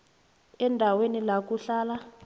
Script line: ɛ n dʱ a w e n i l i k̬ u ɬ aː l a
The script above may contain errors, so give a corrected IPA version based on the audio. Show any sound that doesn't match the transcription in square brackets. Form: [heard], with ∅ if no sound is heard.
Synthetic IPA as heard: ɛ n dʱ a w e n i l [a] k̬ u ɬ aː l a